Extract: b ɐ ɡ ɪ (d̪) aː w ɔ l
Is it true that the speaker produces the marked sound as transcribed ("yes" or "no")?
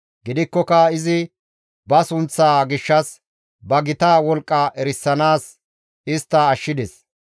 no